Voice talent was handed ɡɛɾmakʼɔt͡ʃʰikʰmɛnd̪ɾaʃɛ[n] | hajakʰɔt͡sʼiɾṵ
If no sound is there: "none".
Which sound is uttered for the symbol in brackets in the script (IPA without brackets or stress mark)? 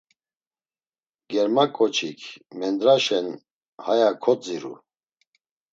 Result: n